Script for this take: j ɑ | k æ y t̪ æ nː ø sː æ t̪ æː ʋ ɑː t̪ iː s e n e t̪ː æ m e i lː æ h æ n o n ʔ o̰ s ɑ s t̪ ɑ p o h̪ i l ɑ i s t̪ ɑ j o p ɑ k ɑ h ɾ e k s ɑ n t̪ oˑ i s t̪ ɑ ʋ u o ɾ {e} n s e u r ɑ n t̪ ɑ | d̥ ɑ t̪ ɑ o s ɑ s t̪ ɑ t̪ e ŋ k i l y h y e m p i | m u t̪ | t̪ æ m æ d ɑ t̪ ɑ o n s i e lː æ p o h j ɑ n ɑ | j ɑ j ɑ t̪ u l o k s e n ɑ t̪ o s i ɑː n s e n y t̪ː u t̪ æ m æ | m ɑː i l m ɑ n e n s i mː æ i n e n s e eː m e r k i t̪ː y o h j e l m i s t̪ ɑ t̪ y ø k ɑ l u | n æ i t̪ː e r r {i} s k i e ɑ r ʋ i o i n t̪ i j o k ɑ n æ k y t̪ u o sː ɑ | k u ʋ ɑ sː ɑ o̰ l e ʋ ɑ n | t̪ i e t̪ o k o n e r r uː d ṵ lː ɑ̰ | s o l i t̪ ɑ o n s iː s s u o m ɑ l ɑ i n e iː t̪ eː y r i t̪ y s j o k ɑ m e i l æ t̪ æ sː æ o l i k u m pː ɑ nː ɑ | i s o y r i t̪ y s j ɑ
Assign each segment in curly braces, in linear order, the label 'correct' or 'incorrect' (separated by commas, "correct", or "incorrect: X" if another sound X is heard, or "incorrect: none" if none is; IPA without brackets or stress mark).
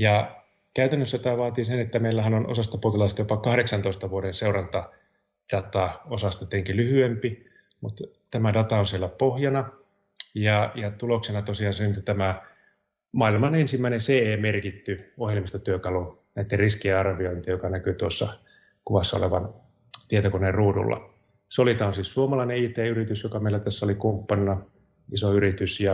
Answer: correct, correct